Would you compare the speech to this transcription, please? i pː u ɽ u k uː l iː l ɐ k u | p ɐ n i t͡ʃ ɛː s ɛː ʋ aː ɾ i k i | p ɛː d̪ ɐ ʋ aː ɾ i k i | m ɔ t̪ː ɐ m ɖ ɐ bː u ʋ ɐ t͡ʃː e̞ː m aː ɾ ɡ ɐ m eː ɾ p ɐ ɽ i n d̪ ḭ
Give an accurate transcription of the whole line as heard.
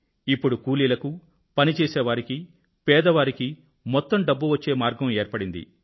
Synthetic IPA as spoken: i pː u ɽ u k uː l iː l ɐ k u | p ɐ n i t͡ʃ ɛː s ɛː ʋ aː ɾ i k i | p ɛː d̪ ɐ ʋ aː ɾ i k i | m ɔ t̪ː ɐ m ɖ ɐ bː u ʋ ɐ t͡ʃː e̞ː m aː ɾ ɡ ɐ m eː ɾ p ɐ ɽ i n d̪ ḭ